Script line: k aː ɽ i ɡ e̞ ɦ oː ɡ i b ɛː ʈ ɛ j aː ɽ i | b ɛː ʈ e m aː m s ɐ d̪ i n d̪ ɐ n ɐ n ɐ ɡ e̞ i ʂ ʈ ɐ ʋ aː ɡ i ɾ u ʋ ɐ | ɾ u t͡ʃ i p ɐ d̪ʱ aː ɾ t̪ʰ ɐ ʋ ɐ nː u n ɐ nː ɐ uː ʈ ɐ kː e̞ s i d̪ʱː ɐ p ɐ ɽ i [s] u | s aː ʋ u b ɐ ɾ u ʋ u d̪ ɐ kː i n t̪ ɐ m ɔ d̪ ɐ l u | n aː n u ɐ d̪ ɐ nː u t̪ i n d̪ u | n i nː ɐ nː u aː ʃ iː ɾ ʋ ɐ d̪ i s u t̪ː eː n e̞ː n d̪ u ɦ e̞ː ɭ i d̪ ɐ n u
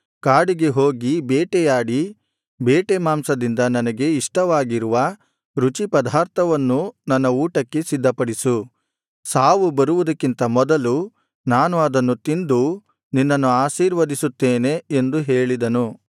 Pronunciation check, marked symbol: correct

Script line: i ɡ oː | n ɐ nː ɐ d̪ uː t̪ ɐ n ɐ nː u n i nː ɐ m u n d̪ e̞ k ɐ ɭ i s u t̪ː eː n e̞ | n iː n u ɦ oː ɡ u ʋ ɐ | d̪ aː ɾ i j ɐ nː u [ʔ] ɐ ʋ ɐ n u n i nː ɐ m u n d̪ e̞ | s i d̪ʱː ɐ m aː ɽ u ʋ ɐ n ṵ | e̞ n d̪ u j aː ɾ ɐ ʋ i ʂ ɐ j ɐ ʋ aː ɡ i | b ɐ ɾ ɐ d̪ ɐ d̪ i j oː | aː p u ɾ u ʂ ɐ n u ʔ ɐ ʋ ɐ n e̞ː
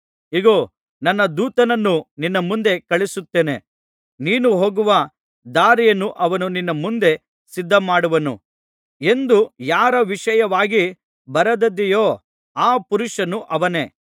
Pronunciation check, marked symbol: correct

